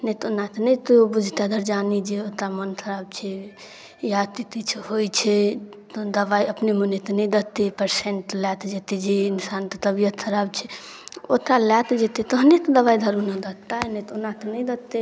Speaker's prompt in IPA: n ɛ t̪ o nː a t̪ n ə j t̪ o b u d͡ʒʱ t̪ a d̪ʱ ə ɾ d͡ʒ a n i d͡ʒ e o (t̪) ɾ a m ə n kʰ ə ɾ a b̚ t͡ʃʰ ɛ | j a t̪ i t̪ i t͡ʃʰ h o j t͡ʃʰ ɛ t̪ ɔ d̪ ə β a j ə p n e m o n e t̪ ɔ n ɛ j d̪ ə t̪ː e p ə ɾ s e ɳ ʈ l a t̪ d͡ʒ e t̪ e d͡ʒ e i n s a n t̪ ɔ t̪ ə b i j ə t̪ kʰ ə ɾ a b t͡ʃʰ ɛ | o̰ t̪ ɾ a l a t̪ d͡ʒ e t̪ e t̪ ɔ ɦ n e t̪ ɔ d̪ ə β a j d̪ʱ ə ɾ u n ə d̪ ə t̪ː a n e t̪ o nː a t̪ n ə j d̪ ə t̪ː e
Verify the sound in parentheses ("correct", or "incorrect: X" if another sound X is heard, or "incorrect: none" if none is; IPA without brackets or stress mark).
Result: correct